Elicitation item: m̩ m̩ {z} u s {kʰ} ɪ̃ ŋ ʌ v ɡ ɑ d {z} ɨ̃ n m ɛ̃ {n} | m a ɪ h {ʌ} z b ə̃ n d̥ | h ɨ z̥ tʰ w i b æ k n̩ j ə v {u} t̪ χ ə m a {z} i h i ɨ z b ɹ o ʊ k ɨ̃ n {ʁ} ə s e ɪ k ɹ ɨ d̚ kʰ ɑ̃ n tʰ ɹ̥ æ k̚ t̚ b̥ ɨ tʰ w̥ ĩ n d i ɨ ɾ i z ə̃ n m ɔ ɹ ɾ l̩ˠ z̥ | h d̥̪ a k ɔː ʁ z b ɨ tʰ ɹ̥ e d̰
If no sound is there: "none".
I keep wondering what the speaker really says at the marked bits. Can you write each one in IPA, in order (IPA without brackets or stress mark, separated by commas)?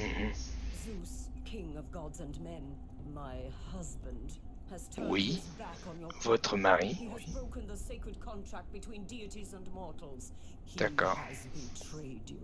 z, kʰ, z, n, ʌ, ɔ, ʁ, ð